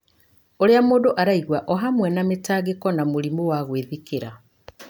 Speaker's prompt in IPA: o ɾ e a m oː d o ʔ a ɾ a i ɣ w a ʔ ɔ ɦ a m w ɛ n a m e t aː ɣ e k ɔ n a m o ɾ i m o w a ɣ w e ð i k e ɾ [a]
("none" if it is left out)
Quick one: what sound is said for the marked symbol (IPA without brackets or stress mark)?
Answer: a